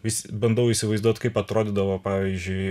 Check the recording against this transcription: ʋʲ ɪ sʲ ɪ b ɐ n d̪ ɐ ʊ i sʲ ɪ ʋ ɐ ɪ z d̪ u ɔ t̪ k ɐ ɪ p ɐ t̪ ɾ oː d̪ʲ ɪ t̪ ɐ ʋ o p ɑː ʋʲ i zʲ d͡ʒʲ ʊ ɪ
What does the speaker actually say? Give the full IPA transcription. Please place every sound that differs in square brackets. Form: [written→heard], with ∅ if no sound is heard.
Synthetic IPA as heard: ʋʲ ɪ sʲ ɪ b ɐ n d̪ ɐ ʊ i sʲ ɪ ʋ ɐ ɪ z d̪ u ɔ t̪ k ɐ ɪ p ɐ t̪ ɾ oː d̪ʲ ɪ [t̪→d̪] ɐ ʋ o p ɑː ʋʲ i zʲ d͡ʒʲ ʊ ɪ